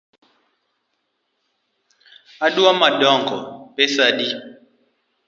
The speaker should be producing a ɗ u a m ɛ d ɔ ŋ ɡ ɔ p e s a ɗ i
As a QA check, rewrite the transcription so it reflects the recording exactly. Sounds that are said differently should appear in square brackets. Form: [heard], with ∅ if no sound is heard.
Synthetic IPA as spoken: a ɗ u a m [a] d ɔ ŋ ɡ ɔ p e s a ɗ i